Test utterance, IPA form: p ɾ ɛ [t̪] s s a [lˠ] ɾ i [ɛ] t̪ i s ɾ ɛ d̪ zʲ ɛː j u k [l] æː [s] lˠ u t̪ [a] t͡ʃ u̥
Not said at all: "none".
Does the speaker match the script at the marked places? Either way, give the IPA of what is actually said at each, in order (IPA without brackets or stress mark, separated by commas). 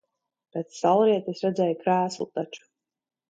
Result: t̪, lˠ, ɛ, ɾ, s, a